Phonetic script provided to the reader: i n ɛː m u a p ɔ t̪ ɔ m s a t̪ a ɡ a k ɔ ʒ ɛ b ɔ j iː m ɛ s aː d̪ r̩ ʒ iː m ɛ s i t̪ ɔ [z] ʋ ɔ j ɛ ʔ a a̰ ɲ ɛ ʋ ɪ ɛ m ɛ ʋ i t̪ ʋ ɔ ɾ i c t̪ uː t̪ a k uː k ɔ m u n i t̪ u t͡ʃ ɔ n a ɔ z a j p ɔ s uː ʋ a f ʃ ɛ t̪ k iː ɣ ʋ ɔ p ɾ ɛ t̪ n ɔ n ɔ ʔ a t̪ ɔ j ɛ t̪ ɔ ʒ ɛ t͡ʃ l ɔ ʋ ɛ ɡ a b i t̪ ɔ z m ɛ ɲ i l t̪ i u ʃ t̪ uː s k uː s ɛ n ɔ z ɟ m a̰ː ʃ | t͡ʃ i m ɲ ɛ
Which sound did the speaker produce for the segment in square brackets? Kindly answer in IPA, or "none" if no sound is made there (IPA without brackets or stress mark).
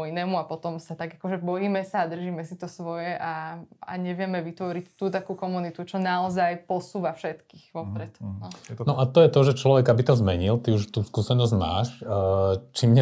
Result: s